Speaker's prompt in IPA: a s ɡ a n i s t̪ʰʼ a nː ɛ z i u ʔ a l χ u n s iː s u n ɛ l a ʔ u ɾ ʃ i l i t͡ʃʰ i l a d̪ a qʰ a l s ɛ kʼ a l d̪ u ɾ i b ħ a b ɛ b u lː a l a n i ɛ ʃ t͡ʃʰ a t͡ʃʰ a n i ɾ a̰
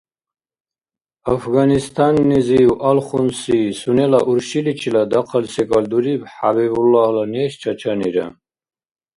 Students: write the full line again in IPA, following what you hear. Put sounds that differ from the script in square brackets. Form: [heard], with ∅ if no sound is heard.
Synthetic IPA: a [f] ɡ a n i s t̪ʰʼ a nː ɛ z i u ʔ a l χ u n s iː s u n ɛ l a ʔ u ɾ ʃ i l i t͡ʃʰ i l a d̪ a qʰ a l s ɛ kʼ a l d̪ u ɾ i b ħ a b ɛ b u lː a l a n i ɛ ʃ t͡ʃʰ a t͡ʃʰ a n i ɾ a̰

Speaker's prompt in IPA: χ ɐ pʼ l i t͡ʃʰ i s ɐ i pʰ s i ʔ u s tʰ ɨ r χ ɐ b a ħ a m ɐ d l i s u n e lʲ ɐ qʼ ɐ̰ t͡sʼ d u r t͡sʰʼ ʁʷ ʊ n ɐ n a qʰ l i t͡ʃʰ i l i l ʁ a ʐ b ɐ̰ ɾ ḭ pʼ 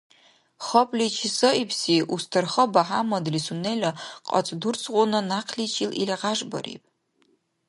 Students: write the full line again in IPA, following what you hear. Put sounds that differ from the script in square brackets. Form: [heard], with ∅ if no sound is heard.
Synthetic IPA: χ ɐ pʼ l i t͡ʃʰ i s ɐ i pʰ s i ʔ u s tʰ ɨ r χ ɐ b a ħ a m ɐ d l i s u n e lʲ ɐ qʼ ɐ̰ t͡sʼ d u r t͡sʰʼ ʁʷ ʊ n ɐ n a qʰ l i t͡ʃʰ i l i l ʁ a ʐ b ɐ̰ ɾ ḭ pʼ

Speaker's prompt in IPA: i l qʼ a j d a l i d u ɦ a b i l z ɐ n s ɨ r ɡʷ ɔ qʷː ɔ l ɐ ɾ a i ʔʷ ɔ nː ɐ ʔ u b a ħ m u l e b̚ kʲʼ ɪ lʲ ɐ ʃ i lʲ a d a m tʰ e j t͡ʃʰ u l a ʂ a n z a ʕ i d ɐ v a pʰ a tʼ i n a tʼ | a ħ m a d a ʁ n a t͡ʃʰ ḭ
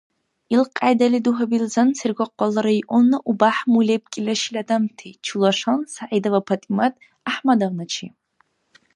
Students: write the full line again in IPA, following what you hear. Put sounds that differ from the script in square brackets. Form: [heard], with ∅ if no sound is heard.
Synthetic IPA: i l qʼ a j d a l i d u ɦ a b i l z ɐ n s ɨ r ɡʷ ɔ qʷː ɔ l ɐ ɾ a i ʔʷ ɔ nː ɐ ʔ u b a ħ m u l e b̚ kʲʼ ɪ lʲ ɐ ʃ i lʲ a d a m tʰ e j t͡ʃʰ u l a ʂ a n [s] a ʕ i d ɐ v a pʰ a tʼ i [m] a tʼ | a ħ m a d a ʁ n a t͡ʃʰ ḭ

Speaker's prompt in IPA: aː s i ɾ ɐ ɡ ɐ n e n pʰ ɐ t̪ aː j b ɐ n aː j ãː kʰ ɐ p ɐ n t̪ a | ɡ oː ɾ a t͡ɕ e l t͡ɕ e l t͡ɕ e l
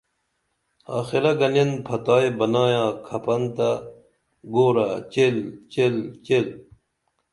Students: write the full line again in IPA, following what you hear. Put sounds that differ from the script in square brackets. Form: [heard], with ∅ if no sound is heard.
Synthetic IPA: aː [x] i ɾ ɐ ɡ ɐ n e n pʰ ɐ t̪ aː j b ɐ n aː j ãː kʰ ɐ p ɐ n t̪ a | ɡ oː ɾ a t͡ɕ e l t͡ɕ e l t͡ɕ e l

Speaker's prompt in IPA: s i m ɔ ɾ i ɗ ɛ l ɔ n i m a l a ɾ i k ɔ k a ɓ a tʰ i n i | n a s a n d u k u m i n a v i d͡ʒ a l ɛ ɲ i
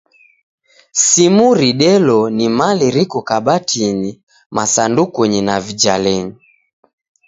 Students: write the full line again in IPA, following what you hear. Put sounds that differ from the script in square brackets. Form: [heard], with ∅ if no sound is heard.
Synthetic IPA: s i m [u] ɾ i ɗ ɛ l ɔ n i m a l [i] ɾ i k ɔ k a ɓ a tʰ i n i | [m] a s a n d u k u [ɲ] i n a v i d͡ʒ a l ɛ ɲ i

